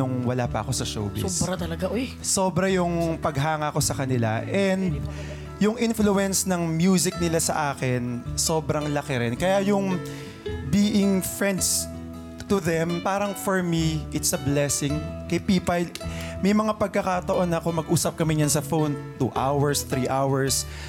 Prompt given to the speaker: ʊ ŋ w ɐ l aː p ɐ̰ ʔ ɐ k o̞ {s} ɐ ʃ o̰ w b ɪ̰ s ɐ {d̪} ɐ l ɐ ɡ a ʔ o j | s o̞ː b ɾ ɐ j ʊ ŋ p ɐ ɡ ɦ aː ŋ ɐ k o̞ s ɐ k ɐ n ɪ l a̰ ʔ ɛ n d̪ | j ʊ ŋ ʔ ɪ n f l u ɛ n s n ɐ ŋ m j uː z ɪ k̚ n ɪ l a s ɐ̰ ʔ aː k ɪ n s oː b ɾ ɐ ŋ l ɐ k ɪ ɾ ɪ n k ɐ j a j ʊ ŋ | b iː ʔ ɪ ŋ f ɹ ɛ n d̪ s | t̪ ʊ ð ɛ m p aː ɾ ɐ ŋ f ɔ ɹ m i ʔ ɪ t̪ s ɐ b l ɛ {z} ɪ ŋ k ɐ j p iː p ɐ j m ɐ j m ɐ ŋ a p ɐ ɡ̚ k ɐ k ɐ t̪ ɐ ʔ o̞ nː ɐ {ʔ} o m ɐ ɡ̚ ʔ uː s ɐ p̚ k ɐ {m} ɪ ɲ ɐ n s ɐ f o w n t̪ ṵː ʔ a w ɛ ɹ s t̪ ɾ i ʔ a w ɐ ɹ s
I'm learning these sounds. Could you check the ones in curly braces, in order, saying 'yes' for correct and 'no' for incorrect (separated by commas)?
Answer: yes, no, no, no, yes